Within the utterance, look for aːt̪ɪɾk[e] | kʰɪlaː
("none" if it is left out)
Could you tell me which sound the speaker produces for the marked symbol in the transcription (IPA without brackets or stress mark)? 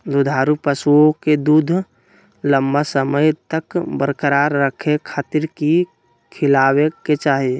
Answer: i